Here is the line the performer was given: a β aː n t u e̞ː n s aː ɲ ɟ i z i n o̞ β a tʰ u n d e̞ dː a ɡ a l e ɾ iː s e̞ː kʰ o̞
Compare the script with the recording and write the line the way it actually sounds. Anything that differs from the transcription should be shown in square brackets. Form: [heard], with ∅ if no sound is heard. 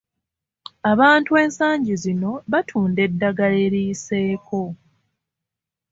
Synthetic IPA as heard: a β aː n t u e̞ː n s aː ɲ ɟ i z i n o̞ β a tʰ [uː] n d e̞ dː a ɡ a l e ɾ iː s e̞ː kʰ o̞